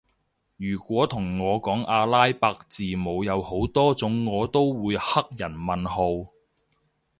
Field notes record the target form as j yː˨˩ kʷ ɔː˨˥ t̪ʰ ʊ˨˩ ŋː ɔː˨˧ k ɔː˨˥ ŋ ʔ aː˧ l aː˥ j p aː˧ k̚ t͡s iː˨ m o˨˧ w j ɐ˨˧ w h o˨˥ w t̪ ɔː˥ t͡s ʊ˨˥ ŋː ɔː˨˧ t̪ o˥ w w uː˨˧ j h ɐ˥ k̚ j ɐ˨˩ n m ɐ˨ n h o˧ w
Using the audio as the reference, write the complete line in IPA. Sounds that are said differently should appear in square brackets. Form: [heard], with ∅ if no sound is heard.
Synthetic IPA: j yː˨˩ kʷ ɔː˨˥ t̪ʰ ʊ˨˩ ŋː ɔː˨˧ k ɔː˨˥ ŋ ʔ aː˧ l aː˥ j p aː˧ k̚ t͡s iː˨ m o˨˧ w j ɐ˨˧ w h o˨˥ w t̪ ɔː˥ t͡s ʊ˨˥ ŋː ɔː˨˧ t̪ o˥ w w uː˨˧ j h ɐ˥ k̚ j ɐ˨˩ n m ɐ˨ n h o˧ w